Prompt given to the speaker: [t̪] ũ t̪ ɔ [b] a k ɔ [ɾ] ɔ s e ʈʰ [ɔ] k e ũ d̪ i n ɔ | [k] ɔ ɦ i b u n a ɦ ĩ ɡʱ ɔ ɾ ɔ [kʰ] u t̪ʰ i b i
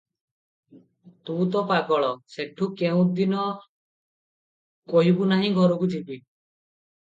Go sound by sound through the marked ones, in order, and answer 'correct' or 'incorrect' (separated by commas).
correct, incorrect, incorrect, incorrect, correct, incorrect